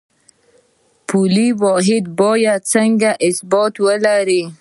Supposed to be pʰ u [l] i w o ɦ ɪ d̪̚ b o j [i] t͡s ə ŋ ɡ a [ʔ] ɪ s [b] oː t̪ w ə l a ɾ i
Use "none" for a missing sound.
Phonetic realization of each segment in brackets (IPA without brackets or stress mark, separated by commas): l, a, ʔ, b